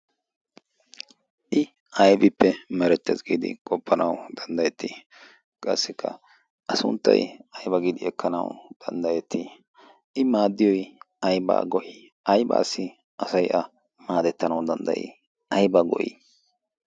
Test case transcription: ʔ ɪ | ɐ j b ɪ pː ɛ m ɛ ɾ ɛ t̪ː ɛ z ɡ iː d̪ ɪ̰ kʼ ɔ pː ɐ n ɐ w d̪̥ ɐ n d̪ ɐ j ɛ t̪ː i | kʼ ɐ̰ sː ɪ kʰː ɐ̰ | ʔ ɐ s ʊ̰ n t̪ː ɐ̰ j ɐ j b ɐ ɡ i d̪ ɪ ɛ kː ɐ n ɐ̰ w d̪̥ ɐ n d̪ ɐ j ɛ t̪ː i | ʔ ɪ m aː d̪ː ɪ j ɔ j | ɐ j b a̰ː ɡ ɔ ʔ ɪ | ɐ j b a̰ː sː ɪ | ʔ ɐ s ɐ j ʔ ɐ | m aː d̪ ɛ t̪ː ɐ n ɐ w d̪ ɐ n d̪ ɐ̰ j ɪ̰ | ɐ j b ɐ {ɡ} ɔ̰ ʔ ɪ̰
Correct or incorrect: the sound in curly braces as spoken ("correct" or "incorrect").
correct